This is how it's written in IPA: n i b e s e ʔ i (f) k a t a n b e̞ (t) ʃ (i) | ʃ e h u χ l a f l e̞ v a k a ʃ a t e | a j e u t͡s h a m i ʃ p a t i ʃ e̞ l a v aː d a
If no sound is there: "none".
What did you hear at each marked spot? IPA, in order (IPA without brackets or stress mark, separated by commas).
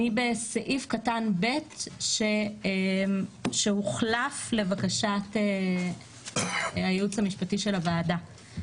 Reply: f, t, e